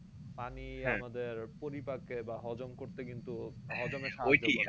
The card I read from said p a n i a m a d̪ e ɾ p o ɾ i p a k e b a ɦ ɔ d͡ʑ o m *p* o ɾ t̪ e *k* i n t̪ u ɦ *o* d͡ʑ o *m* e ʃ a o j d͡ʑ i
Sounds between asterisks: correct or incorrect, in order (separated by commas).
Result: incorrect, correct, incorrect, correct